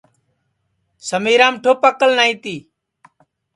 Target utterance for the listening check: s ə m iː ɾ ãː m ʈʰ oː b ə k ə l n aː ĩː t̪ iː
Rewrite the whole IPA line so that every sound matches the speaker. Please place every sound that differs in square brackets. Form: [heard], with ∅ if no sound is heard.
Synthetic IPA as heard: s ə m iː ɾ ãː m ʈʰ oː [p] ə k ə l n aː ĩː t̪ iː